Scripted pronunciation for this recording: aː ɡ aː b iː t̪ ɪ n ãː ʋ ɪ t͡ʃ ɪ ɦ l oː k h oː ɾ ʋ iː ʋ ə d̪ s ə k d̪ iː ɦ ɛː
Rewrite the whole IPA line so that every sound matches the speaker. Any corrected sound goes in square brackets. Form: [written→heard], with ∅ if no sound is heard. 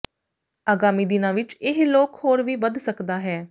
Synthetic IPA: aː ɡ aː [b→m] iː [t̪→d̪] ɪ n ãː ʋ ɪ t͡ʃ ɪ ɦ l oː k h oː ɾ ʋ iː ʋ ə d̪ s ə k d̪ [iː→aː] ɦ ɛː